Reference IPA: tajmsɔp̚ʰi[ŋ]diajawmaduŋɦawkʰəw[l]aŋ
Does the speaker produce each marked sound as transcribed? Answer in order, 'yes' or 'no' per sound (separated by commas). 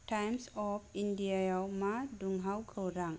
no, no